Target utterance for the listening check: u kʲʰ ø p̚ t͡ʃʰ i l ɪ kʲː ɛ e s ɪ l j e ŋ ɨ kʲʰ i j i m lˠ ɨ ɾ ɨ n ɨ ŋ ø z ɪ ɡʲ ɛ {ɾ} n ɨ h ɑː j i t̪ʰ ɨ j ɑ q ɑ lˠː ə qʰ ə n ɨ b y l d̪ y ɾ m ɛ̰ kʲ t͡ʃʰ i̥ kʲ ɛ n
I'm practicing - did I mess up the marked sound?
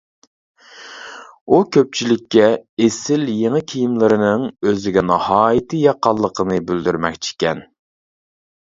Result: yes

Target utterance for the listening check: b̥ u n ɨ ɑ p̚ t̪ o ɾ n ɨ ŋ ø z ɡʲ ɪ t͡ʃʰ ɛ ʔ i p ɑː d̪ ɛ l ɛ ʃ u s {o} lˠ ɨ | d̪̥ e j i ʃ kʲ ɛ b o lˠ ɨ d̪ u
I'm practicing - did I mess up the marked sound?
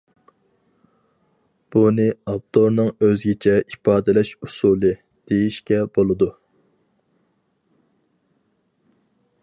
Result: yes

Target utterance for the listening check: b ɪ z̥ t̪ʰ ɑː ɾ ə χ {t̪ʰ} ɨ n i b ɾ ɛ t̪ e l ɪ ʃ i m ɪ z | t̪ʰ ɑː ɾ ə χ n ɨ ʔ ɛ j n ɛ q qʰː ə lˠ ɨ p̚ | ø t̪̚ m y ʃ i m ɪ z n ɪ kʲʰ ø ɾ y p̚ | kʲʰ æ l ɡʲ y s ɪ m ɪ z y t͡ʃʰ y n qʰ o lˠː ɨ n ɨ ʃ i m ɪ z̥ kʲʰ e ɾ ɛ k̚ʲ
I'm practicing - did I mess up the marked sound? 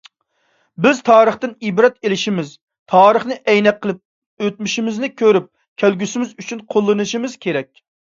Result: yes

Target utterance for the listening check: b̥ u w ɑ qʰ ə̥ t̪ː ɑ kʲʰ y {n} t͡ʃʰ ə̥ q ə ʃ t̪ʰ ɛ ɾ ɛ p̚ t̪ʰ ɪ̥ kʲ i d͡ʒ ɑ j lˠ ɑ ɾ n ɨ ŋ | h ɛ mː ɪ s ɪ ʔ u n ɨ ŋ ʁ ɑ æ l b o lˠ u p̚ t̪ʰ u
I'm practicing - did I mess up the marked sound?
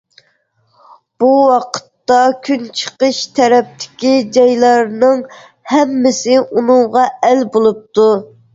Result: no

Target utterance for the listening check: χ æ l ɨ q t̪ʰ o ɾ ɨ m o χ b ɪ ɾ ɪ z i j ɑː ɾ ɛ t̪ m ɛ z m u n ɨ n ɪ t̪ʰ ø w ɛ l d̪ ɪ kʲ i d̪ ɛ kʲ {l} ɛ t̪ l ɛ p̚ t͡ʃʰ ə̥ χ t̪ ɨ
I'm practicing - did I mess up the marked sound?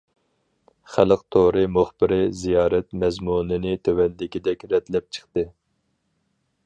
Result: yes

